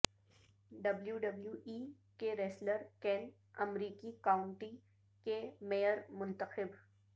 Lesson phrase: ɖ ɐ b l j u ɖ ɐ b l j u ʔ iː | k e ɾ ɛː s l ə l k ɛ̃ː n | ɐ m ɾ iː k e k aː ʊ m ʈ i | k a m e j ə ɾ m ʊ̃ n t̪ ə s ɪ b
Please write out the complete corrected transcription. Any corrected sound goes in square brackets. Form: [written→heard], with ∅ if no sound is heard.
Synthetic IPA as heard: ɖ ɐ b l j u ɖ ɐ b l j u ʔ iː | k e ɾ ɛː s l ə [l→ɾ] k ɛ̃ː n | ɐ m ɾ iː k [e→i] k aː ʊ [m→ɳ] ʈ i | k [a→e] m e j ə ɾ m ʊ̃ n t̪ ə [s→x] ɪ b